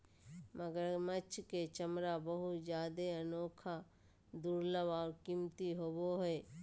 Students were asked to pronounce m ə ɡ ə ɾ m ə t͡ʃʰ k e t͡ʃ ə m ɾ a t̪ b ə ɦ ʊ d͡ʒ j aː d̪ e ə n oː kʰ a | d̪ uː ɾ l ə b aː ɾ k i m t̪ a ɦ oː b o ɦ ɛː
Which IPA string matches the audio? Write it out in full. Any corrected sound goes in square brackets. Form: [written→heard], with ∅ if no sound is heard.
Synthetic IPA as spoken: m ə ɡ ə ɾ m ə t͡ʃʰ k e t͡ʃ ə m ɾ a [t̪→∅] b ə ɦ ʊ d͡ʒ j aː d̪ e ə n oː kʰ a | d̪ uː ɾ l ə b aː ɾ k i m t̪ [a→i] ɦ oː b o ɦ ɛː